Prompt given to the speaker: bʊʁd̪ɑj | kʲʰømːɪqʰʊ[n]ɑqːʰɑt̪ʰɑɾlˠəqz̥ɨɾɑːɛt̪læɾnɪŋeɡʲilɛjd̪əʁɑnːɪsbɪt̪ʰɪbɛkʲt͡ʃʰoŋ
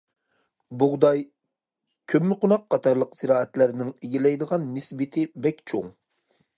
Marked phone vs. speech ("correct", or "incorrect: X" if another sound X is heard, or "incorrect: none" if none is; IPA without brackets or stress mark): correct